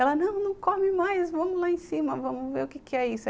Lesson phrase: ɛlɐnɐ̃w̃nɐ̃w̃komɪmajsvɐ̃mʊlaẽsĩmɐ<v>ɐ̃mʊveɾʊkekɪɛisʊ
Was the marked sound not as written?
no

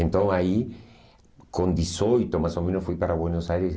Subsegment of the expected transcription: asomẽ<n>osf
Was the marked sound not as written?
no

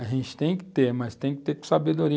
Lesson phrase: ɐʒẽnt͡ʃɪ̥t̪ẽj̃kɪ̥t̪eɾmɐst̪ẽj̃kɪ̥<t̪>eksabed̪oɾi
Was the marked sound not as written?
no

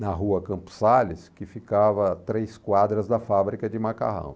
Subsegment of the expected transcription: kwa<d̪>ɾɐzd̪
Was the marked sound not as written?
no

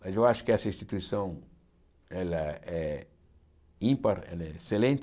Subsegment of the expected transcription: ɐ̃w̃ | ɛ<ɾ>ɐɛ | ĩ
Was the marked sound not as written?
yes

